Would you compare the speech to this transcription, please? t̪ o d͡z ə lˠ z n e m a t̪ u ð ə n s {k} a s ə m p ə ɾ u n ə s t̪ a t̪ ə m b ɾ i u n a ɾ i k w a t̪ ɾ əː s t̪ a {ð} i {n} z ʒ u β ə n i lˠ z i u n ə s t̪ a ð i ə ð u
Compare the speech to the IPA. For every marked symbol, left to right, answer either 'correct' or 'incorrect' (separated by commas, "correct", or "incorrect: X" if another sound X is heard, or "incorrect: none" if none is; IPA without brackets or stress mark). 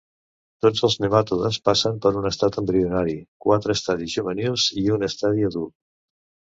incorrect: p, correct, incorrect: none